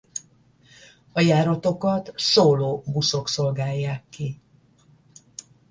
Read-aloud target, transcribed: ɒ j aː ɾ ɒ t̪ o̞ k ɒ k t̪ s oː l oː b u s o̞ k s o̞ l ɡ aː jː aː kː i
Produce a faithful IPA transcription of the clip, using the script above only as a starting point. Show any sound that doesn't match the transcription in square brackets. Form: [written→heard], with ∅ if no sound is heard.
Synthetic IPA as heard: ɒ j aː ɾ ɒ t̪ o̞ k ɒ [k→∅] t̪ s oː l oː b u s o̞ k s o̞ l ɡ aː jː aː kː i